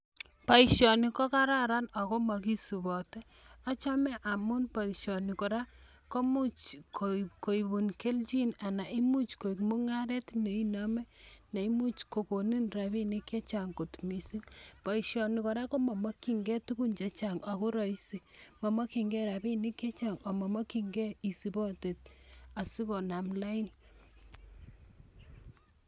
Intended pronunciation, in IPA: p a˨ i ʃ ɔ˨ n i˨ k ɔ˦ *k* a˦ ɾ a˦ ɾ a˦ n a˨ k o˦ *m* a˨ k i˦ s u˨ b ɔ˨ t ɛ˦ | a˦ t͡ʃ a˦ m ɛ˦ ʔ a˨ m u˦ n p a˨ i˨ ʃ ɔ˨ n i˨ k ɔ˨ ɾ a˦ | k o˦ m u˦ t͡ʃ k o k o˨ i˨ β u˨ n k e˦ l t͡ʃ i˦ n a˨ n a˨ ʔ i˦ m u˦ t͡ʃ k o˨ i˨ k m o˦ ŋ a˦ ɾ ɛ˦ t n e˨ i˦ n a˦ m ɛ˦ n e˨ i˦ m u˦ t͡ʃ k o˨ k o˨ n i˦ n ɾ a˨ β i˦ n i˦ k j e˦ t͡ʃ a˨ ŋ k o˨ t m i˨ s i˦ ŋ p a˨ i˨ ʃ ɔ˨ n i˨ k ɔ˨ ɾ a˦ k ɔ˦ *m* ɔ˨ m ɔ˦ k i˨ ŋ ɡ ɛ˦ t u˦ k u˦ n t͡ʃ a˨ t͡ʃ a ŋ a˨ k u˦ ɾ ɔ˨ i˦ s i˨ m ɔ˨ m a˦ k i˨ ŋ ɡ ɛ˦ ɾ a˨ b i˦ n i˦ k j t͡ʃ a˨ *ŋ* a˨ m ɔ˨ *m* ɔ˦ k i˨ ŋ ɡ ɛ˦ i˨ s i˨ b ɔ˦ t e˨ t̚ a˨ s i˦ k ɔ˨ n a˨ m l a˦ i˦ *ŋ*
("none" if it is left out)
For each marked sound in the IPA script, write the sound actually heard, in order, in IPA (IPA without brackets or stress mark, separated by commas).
k, m, m, ŋ, m, n